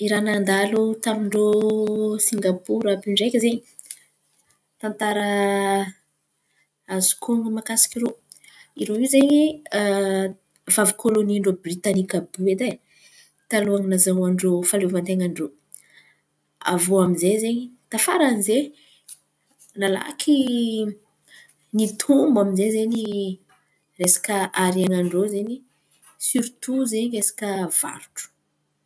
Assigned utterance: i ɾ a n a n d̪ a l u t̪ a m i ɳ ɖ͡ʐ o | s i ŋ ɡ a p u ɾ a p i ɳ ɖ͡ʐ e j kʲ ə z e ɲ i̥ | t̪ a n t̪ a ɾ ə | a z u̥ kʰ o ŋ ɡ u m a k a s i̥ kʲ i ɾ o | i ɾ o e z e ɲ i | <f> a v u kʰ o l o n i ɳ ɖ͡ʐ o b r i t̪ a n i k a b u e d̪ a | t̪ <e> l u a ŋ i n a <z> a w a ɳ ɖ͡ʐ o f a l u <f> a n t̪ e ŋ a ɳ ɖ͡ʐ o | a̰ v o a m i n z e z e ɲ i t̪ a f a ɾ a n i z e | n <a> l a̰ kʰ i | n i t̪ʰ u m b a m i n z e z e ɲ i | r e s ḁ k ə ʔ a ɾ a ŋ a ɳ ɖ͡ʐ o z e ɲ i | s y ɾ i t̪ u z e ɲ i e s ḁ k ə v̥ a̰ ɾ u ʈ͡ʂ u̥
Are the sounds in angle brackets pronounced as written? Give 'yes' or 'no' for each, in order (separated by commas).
no, no, yes, no, yes